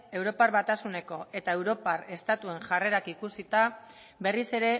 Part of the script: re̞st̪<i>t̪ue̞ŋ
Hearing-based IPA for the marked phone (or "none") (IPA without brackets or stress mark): a